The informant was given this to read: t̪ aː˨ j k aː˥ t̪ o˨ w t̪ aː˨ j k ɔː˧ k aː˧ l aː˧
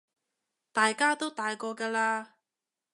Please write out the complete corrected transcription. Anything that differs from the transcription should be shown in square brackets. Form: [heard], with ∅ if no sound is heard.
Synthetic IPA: t̪ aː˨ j k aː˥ t̪ [o˥] w t̪ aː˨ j k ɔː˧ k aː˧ l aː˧